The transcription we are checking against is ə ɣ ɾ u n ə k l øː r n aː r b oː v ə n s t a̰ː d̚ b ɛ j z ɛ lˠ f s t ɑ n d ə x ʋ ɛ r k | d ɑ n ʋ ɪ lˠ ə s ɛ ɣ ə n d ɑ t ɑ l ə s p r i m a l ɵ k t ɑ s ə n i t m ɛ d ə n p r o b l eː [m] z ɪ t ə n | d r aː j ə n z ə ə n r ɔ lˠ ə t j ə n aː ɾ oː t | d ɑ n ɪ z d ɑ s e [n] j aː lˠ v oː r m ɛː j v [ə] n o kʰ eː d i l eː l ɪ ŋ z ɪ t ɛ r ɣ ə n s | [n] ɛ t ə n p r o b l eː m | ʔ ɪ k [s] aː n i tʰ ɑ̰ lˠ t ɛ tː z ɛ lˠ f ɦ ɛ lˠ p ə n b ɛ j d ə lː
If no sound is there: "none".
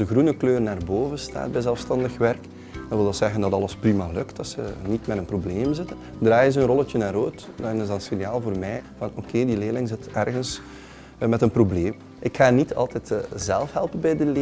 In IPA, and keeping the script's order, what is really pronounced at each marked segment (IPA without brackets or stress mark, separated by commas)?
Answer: m, n, ɑ, m, x